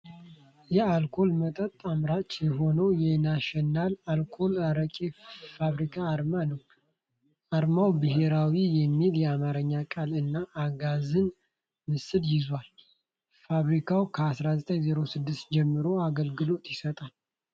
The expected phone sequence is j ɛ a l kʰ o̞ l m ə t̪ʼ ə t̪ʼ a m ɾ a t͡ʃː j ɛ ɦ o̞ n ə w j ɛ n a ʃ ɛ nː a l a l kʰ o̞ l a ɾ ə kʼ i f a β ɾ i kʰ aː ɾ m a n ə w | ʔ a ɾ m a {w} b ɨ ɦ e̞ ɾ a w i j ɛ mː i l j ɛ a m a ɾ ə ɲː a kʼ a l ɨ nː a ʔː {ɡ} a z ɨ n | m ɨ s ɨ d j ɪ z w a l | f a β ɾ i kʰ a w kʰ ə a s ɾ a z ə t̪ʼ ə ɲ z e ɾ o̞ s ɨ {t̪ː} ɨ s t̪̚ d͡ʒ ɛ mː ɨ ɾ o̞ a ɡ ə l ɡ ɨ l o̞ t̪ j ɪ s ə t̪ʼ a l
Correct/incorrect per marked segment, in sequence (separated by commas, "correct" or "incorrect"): correct, correct, incorrect